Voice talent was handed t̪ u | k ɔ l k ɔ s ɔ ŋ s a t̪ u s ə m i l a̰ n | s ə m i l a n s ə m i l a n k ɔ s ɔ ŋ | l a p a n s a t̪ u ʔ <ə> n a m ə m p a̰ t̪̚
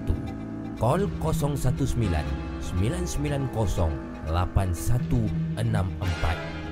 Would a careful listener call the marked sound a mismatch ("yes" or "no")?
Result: no